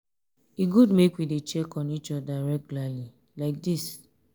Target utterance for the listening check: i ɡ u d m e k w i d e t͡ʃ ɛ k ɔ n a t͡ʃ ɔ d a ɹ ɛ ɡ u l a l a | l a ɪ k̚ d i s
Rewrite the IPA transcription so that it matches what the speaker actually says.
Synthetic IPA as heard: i ɡ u d m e k w i d e t͡ʃ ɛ k ɔ n i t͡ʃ ɔ d a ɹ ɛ ɡ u l a l i | l a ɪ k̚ d i s